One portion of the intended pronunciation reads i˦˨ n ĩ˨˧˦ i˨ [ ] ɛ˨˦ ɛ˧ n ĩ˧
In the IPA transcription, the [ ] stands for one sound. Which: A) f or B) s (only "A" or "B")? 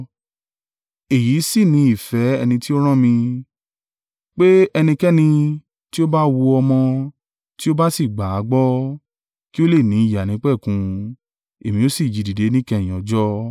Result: A